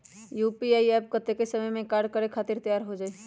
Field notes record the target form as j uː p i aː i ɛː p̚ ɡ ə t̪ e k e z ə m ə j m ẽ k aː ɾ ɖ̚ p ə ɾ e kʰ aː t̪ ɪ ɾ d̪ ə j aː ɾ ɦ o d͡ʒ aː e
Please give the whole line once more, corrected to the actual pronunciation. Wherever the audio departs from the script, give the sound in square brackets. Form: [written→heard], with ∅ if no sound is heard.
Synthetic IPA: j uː p i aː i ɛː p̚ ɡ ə t̪ e k e [z→s] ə m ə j m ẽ k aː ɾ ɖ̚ [p→k] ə ɾ e kʰ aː t̪ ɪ ɾ [d̪→t̪] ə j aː ɾ ɦ o d͡ʒ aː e